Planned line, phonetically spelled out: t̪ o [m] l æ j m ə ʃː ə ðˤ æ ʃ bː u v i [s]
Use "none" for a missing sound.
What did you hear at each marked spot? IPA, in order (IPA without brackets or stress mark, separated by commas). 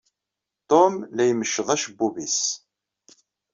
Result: m, s